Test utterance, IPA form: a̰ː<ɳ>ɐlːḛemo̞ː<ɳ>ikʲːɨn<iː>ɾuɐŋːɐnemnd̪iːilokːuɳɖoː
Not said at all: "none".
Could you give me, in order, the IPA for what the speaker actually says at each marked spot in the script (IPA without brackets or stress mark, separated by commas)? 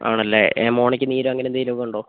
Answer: ɳ, ɳ, iː